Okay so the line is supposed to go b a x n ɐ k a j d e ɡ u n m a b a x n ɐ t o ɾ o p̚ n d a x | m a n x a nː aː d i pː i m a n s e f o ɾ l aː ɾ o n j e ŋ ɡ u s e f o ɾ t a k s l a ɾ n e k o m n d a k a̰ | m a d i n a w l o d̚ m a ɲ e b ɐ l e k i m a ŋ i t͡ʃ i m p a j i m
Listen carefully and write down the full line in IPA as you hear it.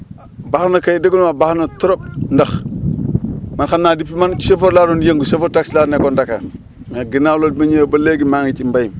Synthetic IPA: b a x n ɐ k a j d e ɡ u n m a b a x n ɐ t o ɾ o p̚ n d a x | m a n x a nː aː d i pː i m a n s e f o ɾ l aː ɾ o n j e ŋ ɡ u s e f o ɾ t a k s l a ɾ n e k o n d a k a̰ | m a ɡ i n a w l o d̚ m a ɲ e b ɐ l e ɡ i m a ŋ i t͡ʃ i m b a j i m

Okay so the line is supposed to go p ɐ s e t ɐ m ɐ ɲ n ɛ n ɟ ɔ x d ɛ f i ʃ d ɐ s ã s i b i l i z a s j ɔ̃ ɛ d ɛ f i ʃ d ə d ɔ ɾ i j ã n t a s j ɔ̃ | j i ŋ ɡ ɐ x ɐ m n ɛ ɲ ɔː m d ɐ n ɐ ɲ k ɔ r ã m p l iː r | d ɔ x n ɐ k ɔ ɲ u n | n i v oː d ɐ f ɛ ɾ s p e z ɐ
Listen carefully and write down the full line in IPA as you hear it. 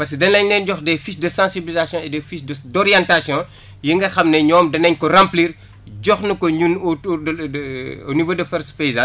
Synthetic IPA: p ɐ s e d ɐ n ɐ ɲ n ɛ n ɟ ɔ x d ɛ f i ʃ d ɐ s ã s i b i l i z a s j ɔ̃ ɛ d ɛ f i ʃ d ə d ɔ ɾ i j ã n t a s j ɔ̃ | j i ŋ ɡ ɐ x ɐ m n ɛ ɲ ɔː m d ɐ n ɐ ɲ k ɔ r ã m p l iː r | ɟ ɔ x n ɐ k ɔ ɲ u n | n i v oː d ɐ f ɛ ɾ s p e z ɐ

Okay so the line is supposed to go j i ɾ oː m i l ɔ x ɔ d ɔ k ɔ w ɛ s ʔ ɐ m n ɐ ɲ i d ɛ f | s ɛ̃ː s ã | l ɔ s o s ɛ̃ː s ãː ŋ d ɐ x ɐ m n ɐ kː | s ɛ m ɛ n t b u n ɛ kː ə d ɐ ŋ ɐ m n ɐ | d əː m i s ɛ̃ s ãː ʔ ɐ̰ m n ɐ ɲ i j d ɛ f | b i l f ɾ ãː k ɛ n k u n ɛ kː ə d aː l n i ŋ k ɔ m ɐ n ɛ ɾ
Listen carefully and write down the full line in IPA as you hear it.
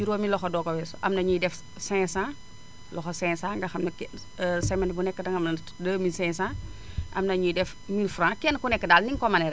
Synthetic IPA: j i ɾ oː m i l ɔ x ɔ d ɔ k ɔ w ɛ s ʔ ɐ m n ɐ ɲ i d ɛ f | s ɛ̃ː s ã | l ɔ x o s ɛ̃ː s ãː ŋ ɡ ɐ x ɐ m n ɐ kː | s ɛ m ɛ n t b u n ɛ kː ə d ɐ ŋ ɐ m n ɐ | d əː m i s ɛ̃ s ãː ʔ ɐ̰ m n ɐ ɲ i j d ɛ f | m i l f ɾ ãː k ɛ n k u n ɛ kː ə d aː l n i ŋ k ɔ m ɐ n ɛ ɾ

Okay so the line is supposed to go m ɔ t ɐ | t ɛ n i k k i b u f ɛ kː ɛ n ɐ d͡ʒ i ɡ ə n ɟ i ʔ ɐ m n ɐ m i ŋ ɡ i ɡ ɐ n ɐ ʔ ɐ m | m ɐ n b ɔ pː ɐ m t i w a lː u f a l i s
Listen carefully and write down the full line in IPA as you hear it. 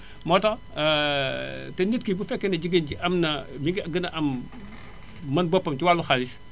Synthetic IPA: m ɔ t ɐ | t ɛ n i t k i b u f ɛ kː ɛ n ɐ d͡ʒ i ɡ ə n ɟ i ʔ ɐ m n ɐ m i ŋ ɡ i ɡ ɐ n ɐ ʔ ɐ m | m ɐ n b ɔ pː ɐ m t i w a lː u x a l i s

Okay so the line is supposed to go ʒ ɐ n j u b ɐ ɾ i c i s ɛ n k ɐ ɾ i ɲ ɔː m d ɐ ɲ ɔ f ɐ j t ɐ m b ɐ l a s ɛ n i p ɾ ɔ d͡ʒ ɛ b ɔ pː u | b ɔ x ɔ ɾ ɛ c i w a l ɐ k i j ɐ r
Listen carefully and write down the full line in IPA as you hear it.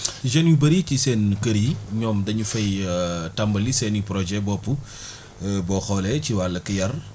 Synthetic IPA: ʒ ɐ n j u b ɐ ɾ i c i s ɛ n k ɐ ɾ i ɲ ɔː m d ɐ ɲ u f ɐ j t ɐ m b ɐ l i s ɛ n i p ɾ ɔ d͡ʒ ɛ b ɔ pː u | b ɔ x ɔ l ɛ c i w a l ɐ k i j ɐ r

